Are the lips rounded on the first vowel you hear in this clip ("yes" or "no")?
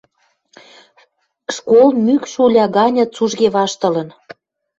yes